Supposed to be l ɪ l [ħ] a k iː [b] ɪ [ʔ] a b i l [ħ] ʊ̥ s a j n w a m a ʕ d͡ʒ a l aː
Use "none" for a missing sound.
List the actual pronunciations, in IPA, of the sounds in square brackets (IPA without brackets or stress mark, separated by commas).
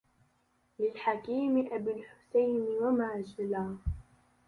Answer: ħ, m, ʔ, ħ